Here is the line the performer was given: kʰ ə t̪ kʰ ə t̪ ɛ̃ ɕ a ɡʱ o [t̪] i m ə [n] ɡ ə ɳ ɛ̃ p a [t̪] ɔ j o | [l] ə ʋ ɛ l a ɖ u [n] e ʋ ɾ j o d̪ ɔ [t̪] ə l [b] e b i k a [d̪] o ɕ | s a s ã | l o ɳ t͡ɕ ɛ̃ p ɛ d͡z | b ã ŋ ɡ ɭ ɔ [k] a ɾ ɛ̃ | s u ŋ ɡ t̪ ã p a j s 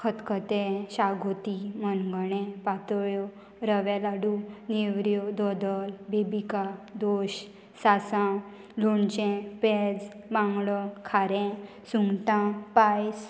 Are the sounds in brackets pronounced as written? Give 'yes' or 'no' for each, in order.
yes, yes, yes, no, yes, no, yes, yes, no

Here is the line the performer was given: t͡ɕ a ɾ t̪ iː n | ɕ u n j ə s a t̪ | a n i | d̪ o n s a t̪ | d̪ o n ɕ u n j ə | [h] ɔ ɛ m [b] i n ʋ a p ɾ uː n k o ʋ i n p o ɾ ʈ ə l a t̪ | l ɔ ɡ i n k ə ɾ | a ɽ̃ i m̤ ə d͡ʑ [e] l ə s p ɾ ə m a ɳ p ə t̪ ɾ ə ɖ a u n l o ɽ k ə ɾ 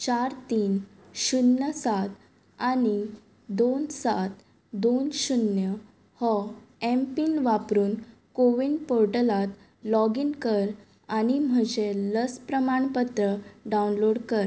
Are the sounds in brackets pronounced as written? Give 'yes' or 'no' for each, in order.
yes, no, yes

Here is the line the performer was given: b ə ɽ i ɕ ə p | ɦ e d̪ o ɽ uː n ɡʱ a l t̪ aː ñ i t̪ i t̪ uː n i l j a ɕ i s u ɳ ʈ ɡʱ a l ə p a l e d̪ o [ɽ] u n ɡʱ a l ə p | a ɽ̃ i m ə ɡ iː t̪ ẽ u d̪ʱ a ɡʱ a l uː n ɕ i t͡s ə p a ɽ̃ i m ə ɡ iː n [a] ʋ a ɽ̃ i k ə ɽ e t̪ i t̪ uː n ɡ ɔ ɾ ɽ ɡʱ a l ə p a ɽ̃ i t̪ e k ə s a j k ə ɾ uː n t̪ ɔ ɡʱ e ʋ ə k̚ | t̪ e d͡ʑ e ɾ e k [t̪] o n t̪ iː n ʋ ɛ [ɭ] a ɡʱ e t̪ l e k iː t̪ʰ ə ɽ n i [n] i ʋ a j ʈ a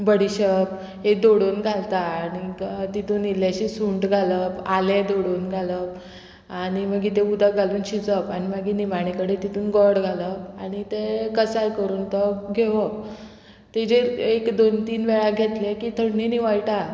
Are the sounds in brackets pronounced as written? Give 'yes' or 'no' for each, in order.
yes, no, no, yes, yes

